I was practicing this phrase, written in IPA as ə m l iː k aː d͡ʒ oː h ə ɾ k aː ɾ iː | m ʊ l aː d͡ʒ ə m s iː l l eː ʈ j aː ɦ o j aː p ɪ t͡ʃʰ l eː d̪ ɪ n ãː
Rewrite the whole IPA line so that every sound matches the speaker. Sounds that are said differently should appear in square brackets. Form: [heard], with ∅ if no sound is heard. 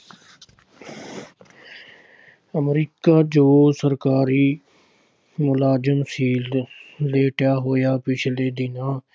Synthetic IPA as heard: ə m [ɾ] iː k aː d͡ʒ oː [s] ə ɾ k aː ɾ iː | m ʊ l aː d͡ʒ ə m s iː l l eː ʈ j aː ɦ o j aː p ɪ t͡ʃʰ l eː d̪ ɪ n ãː